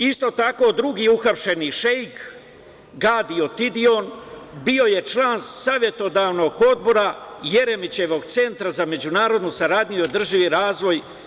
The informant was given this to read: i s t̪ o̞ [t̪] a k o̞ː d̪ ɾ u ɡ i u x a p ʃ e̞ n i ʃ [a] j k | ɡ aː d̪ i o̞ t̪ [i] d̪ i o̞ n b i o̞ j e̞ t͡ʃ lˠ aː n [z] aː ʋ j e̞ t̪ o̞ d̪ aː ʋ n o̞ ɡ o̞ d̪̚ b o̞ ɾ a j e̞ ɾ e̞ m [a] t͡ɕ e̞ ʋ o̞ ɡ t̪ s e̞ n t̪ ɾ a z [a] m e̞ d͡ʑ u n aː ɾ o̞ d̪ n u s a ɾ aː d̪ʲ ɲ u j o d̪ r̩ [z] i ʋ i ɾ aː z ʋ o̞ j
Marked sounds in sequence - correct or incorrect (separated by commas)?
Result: correct, incorrect, correct, incorrect, incorrect, correct, incorrect